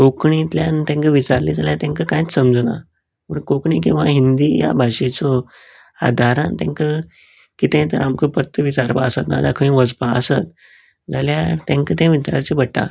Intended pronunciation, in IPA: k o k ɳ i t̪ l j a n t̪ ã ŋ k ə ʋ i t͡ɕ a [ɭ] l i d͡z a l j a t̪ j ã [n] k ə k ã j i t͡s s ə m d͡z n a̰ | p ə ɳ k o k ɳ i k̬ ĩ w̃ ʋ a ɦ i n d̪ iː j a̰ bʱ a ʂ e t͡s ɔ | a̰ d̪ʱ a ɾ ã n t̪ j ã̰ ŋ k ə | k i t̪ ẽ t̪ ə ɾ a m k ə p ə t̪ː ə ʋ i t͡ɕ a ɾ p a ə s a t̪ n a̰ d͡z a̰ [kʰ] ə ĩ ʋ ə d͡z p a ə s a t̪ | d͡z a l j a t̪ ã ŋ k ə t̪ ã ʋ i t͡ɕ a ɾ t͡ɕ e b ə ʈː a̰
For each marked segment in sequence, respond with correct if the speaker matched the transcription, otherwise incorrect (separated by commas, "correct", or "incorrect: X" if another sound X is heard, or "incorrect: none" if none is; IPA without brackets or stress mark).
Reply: incorrect: ɾ, incorrect: ŋ, correct